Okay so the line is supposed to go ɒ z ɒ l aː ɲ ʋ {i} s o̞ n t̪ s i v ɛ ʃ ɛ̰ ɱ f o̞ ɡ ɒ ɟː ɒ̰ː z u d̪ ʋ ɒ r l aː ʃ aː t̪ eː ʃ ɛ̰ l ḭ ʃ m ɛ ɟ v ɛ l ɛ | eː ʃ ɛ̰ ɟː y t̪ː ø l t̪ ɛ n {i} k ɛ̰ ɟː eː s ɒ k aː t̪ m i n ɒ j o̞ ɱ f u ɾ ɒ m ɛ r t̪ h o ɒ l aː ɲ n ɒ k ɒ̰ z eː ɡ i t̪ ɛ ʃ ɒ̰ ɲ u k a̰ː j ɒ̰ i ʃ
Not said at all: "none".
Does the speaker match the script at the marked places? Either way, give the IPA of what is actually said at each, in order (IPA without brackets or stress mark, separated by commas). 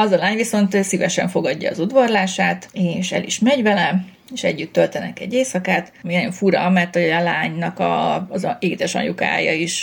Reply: i, ɛ